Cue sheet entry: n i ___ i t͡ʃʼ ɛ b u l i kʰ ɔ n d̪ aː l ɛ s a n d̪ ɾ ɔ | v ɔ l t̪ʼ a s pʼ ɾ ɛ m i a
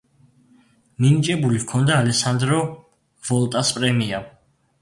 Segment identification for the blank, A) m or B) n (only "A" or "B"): B